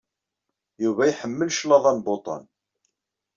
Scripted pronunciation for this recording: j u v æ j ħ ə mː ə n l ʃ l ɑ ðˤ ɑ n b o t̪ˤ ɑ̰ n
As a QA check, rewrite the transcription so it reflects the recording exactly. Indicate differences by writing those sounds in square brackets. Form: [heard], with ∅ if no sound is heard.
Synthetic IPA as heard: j u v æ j ħ ə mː ə [∅] l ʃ l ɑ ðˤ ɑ n b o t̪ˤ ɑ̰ n